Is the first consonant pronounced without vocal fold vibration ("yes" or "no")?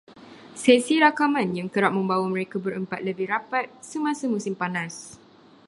yes